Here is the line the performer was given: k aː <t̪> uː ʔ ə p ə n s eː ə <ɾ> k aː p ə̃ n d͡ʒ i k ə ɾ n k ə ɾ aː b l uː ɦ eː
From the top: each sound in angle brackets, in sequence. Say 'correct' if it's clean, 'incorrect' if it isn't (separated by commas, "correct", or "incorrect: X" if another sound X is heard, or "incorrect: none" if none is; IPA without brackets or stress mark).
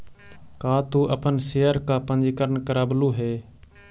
correct, correct